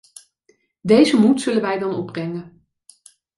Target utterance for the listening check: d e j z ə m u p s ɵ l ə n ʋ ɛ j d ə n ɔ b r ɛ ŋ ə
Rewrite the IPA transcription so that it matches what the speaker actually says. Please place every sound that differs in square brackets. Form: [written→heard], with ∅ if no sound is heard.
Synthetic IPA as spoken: d e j z ə m u [p→t] s ɵ l ə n ʋ ɛ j d [ə→ɑ] n ɔ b r ɛ ŋ ə